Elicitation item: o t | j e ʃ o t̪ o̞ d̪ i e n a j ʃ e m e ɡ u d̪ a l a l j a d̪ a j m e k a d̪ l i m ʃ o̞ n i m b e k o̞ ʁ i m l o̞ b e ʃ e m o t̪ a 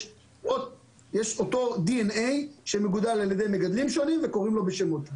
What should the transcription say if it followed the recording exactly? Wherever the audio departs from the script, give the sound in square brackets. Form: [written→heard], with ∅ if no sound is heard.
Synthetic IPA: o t | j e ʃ o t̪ o̞ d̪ i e n [a→e] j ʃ e m e ɡ u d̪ a l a l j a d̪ [a→e] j m e [k→ɡ] a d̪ l i m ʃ o̞ n i m [b→v] e k o̞ ʁ i m l o̞ b e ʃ e m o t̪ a